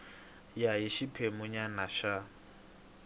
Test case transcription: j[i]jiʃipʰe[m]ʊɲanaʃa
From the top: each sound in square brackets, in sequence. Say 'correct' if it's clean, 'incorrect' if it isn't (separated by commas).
incorrect, correct